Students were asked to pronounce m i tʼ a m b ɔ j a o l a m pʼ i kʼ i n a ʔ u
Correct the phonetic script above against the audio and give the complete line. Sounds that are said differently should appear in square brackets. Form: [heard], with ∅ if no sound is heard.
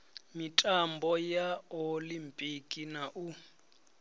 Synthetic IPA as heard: m i tʼ a m b ɔ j a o l [i] m pʼ i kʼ i n a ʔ u